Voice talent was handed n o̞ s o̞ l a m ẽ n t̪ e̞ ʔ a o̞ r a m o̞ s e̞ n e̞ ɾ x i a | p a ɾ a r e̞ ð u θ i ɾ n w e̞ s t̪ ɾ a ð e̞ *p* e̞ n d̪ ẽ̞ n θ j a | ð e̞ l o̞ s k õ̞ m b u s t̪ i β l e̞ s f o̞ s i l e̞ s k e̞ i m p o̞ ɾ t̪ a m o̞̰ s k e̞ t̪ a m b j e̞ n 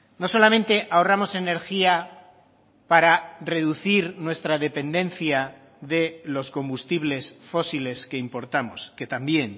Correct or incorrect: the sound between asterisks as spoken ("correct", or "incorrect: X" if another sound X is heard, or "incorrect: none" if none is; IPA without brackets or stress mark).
correct